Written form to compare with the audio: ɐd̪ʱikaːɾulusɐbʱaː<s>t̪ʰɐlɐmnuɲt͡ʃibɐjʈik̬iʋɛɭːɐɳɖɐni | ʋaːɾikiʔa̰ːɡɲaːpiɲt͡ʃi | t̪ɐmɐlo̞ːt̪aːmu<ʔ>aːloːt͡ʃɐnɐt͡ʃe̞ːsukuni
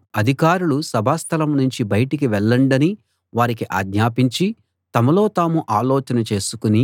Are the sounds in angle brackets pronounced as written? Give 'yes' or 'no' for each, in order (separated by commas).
yes, yes